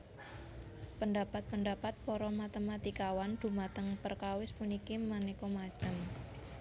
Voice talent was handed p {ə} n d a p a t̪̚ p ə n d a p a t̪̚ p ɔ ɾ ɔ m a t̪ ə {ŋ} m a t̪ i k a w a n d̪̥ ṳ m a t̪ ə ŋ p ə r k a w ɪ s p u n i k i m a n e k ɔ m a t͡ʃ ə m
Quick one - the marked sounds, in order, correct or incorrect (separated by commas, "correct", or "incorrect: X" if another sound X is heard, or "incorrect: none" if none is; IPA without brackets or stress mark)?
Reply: correct, incorrect: none